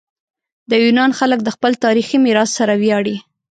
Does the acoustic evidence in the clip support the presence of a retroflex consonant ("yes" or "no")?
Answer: yes